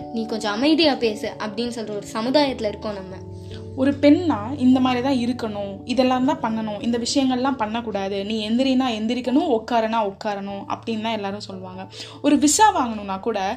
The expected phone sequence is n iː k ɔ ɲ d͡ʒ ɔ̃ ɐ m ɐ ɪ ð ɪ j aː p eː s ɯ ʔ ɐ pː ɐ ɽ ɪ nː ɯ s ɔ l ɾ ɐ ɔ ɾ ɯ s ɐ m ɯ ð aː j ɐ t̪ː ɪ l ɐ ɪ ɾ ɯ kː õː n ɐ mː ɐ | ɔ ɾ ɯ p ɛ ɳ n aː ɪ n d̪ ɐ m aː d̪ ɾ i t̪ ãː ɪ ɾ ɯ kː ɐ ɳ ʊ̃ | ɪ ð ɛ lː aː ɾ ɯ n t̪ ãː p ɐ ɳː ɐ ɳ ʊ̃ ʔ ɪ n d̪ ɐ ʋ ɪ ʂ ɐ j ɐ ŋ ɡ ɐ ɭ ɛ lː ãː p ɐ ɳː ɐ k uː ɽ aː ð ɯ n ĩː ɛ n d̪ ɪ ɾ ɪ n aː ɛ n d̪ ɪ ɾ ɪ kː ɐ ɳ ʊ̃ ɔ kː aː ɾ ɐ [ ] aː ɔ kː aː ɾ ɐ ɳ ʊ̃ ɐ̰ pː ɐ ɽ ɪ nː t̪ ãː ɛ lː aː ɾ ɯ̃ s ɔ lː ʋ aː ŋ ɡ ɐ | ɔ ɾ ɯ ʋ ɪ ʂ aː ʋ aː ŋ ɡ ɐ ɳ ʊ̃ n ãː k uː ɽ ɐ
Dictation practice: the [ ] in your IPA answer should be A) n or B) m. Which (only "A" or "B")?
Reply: A